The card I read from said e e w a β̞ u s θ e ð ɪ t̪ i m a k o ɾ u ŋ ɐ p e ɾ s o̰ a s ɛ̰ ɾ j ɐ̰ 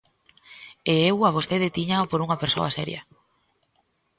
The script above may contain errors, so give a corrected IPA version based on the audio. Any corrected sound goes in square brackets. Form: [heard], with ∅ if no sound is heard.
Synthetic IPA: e e w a β̞ [o] s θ e ð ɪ t̪ i [ɲ] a [p] o ɾ u ŋ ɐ p e ɾ s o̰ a s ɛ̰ ɾ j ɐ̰